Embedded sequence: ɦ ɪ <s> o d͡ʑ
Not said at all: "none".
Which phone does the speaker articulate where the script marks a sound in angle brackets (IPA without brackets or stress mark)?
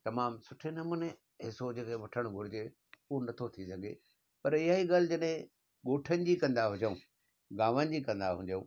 s